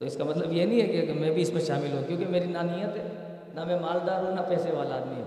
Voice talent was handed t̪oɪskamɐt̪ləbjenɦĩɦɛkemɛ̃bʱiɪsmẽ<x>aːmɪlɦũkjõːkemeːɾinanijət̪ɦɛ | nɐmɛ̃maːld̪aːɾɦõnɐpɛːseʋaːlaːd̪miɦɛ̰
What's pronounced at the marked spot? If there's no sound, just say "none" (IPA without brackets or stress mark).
ʃ